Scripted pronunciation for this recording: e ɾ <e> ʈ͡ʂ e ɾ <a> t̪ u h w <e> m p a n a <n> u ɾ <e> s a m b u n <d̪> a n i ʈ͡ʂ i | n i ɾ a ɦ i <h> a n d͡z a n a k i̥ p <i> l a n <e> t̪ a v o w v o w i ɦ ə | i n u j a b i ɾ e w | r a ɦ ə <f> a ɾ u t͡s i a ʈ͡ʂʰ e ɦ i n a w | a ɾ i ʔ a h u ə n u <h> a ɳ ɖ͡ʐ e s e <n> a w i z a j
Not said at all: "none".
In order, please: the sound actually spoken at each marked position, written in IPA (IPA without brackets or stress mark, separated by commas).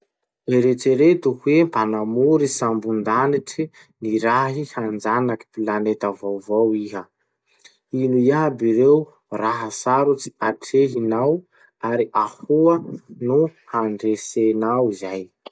e, e, e, m, i, d̪, h, i, e, s, h, n